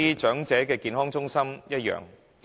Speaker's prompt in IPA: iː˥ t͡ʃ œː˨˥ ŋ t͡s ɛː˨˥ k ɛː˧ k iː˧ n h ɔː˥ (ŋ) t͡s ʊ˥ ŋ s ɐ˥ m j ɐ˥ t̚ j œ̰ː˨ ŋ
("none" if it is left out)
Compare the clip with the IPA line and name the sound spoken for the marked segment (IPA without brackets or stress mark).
ŋ